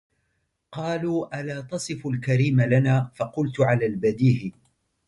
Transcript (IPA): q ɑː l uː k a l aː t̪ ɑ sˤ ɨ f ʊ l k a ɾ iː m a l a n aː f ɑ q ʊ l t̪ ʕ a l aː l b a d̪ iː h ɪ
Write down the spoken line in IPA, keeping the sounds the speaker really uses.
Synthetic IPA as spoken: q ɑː l uː ʔ a l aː t̪ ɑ sˤ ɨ f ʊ l k a ɾ iː m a l a n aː f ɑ q ʊ l t̪ ʕ a l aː l b a d̪ iː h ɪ

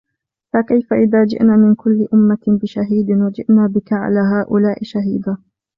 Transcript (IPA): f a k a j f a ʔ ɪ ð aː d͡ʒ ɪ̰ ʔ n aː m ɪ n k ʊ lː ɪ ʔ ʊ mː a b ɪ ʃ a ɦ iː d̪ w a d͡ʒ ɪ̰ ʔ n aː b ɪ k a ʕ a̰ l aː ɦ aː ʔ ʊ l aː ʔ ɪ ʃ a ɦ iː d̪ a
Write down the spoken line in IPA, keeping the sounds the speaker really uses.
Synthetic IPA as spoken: f a k a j f a ʔ ɪ ð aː d͡ʒ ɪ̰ ʔ n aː m ɪ n k ʊ lː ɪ ʔ ʊ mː a b ɪ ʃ a ɦ iː d̪ w a d͡ʒ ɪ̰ ʔ n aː b ɪ k a ʕ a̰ l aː ɦ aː ʔ ʊ l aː ʔ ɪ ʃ a ɦ iː d̪ a

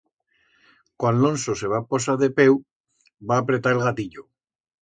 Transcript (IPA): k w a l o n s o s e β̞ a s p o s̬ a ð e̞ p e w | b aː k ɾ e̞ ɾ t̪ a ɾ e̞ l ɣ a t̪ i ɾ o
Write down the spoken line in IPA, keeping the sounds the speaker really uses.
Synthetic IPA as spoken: k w a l o n s o s e β̞ a p o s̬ a ð e̞ p e w | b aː p ɾ e̞ t̪ a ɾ e̞ l ɣ a t̪ i ʎ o

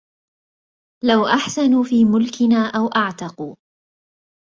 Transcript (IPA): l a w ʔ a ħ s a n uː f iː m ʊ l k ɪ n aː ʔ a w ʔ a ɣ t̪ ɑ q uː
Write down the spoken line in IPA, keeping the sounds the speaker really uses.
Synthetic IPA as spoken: l a w ʔ a ħ s a n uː f iː m ʊ l k ɪ n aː ʔ a w ʔ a ʕ t̪ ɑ q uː

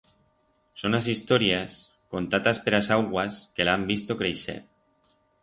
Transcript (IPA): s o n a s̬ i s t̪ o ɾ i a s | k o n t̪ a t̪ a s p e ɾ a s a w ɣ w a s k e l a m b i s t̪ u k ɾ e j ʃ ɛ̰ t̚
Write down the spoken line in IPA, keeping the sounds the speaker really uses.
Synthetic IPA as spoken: s o n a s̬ i s t̪ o ɾ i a s | k o n t̪ a t̪ a s p e ɾ a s a w ɣ w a s k e l a m b i s t̪ o k ɾ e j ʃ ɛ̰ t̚

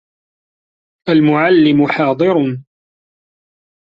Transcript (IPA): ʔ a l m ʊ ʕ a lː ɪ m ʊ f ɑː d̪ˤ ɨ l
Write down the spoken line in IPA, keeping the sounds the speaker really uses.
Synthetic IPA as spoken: ʔ a l m ʊ ʕ a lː ɪ m ʊ ħ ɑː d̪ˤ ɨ ɾ

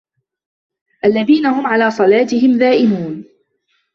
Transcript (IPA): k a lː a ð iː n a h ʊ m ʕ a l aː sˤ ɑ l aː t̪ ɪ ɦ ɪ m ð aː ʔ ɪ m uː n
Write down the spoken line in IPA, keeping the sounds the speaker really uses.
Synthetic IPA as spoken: ʔ a lː a ð iː n a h ʊ m ʕ a l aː sˤ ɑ l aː t̪ ɪ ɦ ɪ m ð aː ʔ ɪ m uː n

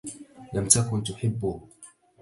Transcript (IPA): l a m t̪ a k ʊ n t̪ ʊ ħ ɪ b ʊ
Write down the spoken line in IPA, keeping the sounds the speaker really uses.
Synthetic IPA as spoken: l a m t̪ a k ʊ n t̪ ʊ ħ ɪ bː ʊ

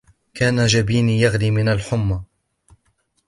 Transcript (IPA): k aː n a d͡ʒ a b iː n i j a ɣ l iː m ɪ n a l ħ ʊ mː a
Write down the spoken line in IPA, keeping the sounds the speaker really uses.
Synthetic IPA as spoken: k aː n a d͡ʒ a b iː n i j a ɣ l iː m ɪ n a l ħ ʊ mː a

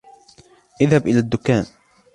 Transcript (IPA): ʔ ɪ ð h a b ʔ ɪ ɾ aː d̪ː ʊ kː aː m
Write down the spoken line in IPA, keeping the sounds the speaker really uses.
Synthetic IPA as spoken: ʔ ɪ ð h a b ʔ ɪ l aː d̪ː ʊ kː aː n

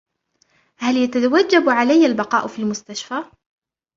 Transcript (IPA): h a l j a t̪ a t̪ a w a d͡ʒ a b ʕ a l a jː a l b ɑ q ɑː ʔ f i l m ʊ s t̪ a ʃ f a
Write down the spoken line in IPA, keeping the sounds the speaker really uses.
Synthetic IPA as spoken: h a l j a t̪ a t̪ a w a d͡ʒː a b ʕ a l a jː a l b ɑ q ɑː ʔ f i l m ʊ s t̪ a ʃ f a

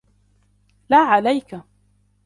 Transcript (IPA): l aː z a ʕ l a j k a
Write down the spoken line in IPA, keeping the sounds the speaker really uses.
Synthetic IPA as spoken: l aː ʕ a l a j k a

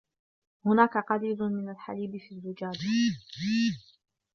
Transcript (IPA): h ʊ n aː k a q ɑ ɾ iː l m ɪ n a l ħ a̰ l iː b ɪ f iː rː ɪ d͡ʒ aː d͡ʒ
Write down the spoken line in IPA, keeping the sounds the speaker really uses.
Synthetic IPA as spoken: h ʊ n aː k a q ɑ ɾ iː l m ɪ n a l ħ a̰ l iː b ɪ f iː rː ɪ d͡ʒ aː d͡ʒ

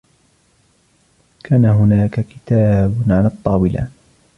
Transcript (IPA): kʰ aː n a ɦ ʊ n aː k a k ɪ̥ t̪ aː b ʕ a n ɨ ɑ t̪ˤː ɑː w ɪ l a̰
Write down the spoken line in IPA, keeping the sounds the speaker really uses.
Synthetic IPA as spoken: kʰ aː n a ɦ ʊ n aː k a k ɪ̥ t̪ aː b ʕ a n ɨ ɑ t̪ˤː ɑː w ɪ l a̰

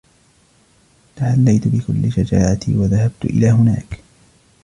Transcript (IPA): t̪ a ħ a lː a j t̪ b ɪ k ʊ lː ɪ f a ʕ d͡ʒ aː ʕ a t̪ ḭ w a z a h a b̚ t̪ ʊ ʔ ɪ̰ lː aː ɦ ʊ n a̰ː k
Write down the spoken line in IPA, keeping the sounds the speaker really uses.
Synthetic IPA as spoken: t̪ a ħ a lː a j t̪ b ɪ k ʊ lː ɪ ʃ a d͡ʒ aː ʕ a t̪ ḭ w a ð a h a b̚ t̪ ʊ ʔ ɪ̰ l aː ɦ ʊ n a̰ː k

